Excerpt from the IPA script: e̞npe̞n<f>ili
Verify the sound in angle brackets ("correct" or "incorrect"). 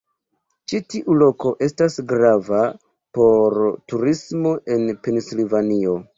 incorrect